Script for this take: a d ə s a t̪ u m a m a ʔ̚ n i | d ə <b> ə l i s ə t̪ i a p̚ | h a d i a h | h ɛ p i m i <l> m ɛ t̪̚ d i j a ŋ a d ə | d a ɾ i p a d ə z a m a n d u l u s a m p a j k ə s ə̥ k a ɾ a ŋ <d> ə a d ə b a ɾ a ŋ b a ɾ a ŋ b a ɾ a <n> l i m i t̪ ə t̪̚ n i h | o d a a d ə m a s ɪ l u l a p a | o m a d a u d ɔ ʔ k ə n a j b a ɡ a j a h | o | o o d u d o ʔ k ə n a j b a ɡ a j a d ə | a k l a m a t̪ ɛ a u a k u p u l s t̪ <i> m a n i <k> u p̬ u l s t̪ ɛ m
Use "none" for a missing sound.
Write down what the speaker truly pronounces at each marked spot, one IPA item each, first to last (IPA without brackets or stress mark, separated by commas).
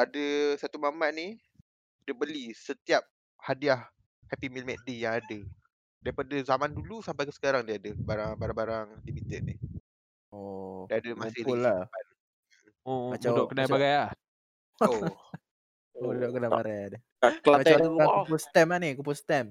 b, l, d, ŋ, ɛ, k